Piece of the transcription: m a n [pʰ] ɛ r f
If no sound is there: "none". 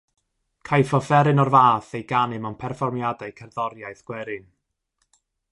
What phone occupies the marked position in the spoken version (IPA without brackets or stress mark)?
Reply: pʰ